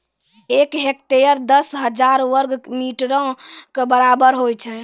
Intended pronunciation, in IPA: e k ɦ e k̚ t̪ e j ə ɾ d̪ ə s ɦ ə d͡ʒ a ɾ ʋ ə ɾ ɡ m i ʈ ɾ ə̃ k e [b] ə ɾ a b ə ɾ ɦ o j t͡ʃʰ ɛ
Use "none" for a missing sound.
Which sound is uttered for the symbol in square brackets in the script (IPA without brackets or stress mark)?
b